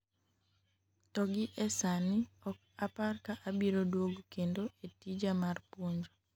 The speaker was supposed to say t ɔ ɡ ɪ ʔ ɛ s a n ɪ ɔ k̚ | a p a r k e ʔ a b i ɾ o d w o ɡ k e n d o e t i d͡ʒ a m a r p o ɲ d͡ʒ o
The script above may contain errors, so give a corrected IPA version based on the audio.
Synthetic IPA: t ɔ ɡ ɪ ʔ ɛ s a n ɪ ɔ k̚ | a p a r k a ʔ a b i ɾ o d w o ɡ k e n d o e t i d͡ʒ a m a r p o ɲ d͡ʒ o